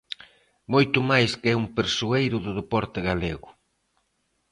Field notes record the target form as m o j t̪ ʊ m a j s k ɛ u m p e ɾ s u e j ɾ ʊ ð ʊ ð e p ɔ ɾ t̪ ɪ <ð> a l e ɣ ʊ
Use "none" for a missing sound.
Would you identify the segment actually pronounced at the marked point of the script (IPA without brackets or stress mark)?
ɣ